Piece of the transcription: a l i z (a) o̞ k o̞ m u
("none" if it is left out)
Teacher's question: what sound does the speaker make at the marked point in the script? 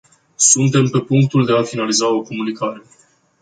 a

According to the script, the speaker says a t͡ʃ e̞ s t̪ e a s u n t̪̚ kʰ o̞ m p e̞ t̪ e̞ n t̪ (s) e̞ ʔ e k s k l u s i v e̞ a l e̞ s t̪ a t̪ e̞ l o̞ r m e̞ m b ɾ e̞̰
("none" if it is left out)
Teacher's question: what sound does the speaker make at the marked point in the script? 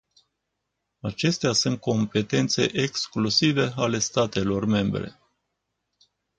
s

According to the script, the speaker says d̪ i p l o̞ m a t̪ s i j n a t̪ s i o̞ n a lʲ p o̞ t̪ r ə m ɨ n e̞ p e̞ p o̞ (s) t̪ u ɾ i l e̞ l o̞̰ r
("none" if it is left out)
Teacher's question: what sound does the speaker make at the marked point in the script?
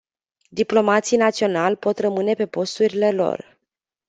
s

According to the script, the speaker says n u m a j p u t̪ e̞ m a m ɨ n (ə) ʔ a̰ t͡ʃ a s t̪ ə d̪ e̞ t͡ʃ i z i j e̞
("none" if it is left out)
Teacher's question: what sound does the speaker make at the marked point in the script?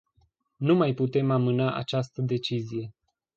a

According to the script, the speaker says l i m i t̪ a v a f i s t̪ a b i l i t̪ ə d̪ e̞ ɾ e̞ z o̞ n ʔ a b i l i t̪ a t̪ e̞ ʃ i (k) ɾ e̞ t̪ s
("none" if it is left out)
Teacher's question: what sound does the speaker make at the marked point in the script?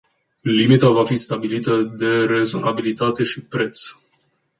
p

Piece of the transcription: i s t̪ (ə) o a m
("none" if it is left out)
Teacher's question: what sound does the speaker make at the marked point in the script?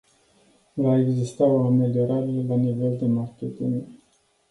a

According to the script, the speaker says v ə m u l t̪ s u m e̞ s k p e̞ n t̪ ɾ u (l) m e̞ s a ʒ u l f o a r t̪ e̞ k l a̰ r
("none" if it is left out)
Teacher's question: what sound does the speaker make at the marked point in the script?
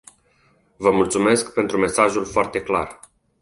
none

